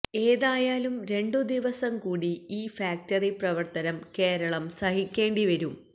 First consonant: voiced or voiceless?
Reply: voiced